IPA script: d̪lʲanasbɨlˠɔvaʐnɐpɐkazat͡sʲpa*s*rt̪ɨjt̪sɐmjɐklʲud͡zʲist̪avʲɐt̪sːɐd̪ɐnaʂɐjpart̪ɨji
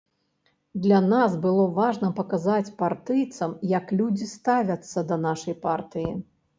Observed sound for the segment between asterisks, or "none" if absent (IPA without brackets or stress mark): none